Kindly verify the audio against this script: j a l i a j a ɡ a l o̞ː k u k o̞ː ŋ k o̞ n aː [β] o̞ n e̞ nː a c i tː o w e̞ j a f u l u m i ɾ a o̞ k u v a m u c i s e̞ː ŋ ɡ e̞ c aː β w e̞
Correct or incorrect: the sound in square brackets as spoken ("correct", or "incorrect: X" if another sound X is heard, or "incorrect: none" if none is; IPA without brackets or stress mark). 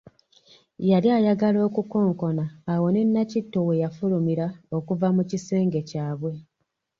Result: incorrect: w